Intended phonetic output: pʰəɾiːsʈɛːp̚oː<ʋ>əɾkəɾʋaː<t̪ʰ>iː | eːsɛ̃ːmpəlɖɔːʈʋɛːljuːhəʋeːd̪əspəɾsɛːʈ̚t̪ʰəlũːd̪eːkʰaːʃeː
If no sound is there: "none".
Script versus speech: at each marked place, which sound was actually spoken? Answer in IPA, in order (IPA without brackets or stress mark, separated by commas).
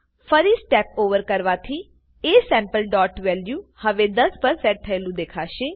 ʋ, t̪ʰ